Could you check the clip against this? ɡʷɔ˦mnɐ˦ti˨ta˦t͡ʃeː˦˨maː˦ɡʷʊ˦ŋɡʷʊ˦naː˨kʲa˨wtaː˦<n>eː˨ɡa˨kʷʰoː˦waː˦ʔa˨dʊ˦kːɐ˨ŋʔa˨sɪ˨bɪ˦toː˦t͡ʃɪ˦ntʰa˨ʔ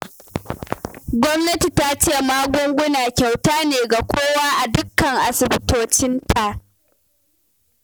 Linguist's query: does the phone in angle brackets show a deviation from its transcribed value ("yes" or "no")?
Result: no